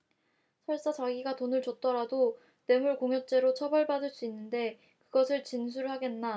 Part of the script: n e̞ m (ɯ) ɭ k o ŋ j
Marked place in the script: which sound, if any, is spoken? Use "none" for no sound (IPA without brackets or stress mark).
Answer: u